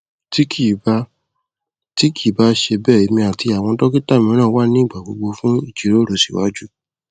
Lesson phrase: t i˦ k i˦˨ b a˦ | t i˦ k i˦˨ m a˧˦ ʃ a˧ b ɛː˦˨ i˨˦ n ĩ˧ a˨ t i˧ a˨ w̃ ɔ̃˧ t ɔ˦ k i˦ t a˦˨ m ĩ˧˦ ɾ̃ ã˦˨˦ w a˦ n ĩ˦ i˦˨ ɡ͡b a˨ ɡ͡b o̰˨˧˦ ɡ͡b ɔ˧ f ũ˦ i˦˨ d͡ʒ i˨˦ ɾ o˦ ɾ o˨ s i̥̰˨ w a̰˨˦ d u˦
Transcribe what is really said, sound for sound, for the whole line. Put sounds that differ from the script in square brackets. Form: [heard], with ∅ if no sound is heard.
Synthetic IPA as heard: t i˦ k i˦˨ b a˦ | t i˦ k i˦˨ [b] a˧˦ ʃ [e˧] b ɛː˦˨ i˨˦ [m] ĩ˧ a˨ t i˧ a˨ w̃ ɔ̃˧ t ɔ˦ k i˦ t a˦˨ m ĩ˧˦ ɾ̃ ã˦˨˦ w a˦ n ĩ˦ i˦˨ ɡ͡b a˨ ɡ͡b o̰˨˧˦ ɡ͡b [o˧] f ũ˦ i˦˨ d͡ʒ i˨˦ ɾ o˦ ɾ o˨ s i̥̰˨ w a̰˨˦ [d͡ʒ] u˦